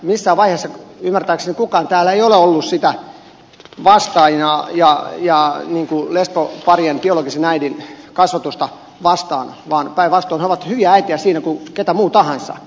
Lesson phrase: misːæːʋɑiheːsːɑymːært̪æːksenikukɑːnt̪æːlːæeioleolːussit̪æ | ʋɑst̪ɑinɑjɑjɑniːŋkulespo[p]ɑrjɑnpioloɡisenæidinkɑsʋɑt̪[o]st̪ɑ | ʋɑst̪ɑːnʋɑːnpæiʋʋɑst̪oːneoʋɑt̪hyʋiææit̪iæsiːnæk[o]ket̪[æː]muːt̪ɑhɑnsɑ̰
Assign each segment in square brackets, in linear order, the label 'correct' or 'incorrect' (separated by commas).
correct, incorrect, incorrect, incorrect